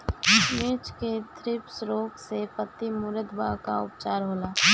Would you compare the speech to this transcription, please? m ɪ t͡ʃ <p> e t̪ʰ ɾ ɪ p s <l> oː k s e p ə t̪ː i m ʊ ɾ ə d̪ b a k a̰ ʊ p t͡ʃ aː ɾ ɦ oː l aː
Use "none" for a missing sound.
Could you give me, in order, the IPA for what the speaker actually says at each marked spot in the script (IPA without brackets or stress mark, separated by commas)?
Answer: k, ɾ